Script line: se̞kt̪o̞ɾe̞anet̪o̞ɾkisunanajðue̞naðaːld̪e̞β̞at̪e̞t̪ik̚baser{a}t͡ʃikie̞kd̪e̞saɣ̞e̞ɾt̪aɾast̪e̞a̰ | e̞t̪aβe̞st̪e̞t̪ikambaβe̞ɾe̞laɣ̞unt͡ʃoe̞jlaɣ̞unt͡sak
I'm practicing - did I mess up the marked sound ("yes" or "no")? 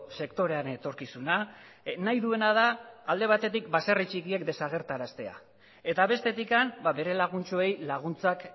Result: yes